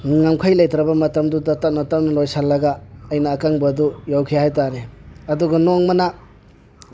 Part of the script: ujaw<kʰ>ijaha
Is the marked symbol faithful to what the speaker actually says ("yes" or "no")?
yes